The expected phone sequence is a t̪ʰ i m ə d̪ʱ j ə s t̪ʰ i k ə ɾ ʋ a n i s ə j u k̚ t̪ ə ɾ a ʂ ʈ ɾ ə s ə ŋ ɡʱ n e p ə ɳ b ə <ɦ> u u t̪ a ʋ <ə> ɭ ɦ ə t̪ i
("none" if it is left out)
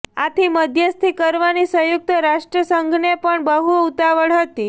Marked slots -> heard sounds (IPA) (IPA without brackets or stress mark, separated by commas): ɦ, ə